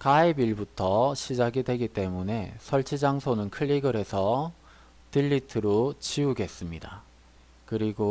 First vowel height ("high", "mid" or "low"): low